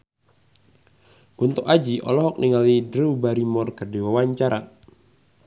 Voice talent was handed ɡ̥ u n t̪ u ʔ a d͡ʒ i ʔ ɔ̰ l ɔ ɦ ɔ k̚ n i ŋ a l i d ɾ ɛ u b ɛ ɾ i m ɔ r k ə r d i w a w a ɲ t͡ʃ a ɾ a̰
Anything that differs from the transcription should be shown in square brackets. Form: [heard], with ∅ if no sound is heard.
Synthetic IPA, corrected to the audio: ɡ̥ u n t̪ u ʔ a d͡ʒ i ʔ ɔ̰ l ɔ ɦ ɔ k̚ n i ŋ a l i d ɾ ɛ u b [a] ɾ i m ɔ r k ə r d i w a w a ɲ t͡ʃ a ɾ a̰